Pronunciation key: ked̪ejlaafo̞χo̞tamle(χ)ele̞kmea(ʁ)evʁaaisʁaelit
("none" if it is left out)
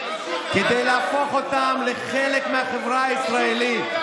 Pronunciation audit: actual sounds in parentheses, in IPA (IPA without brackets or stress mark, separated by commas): χ, χ